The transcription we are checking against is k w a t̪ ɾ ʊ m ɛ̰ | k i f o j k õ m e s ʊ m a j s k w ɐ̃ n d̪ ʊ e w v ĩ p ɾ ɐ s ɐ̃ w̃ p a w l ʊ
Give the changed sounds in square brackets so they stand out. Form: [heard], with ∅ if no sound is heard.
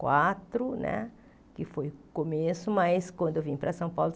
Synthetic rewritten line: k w a t̪ ɾ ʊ [n] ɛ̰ | k [ɪ] f o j k [o] m e s ʊ m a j s k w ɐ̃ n d̪ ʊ e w v ĩ p ɾ ɐ s ɐ̃ w̃ p a w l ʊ